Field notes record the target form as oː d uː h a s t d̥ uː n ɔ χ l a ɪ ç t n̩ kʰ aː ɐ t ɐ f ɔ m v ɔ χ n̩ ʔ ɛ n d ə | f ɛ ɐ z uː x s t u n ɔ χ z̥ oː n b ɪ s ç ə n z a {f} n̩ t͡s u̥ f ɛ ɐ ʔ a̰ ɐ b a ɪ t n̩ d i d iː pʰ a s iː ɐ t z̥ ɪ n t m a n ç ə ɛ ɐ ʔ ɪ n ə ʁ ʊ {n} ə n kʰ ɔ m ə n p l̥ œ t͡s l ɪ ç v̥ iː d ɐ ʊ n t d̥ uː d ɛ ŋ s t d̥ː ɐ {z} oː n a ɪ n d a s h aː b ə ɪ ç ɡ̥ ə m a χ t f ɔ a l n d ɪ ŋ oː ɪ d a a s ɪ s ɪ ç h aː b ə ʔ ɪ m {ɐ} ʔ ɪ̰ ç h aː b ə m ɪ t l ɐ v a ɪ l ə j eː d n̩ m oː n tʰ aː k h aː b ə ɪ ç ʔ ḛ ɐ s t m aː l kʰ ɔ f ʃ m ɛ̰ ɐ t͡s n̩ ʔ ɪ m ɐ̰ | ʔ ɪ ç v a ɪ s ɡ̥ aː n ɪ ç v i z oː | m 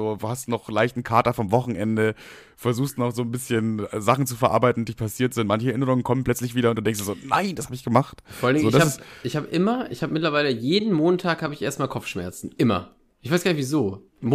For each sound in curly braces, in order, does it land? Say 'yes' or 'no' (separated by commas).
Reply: no, no, yes, yes